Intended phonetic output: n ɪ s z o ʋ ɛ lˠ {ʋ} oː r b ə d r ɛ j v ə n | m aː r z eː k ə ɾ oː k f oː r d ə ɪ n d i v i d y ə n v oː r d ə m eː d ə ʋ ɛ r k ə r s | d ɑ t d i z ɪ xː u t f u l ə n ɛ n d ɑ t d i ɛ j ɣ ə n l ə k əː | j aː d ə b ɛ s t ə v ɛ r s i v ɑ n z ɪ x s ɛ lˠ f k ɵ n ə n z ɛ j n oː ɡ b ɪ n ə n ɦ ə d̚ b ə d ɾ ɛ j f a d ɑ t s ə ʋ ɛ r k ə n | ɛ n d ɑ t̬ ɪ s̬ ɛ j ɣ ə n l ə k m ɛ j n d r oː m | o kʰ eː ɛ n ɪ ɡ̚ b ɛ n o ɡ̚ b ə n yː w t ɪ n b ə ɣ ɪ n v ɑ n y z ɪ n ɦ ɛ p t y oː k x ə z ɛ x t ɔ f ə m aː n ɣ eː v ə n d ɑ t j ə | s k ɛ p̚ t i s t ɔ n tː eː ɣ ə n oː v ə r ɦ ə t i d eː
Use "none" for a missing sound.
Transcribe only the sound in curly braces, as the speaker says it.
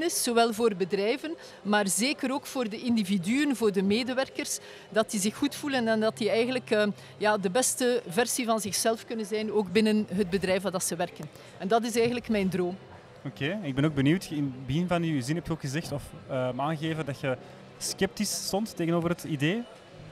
v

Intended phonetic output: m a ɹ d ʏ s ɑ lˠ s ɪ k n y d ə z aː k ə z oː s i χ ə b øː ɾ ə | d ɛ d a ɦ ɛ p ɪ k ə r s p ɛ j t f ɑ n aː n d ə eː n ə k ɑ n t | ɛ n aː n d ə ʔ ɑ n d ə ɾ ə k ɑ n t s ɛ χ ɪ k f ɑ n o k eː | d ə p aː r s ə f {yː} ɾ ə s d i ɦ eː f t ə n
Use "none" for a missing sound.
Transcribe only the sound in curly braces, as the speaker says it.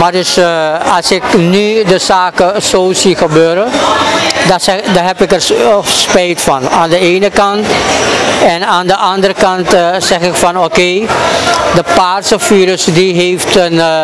iː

